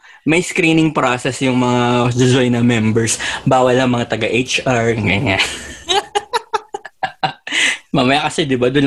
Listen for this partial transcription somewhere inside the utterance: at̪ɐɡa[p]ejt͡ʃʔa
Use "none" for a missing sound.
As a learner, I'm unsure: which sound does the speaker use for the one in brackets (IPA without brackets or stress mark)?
ʔ